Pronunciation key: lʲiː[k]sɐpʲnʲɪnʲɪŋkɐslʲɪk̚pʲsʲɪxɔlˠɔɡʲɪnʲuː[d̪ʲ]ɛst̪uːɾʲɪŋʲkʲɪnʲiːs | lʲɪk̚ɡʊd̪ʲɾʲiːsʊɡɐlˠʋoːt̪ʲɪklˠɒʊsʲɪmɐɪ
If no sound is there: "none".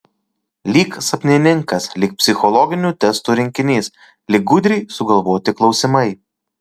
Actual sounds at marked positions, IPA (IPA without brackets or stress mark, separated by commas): k, t̪ʲ